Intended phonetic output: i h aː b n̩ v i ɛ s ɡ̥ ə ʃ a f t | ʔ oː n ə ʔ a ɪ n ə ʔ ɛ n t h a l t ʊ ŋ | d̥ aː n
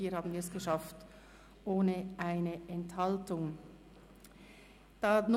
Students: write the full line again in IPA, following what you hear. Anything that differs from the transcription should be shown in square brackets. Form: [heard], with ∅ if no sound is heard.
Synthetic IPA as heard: [iː] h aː b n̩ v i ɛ s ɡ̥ ə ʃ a f t | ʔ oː n ə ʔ a ɪ n ə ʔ ɛ n t h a l t ʊ ŋ | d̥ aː n